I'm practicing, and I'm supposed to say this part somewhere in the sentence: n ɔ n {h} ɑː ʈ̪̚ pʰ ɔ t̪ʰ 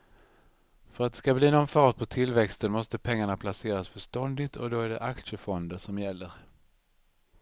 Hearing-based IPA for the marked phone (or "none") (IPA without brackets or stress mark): f